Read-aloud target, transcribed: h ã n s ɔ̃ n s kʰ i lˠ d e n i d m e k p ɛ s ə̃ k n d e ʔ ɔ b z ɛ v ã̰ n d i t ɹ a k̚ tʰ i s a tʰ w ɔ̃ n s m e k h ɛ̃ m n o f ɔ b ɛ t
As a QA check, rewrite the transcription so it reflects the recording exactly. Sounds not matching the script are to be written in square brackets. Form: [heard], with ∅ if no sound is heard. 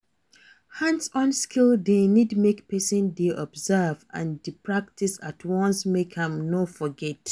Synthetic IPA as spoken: h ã n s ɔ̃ n s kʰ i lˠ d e n i d m e k p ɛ s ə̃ [∅] n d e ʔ ɔ b z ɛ v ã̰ n d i [p] ɹ a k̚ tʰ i s a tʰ w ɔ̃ n s m e k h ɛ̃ m n o f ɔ [ɡ] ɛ t